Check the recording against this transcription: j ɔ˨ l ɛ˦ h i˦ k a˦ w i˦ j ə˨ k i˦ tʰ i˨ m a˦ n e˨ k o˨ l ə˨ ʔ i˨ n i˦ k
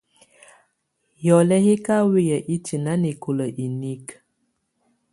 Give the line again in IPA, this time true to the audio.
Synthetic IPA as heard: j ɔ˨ l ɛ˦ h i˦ k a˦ w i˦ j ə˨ ʔ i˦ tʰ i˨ n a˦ n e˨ k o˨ l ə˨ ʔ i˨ n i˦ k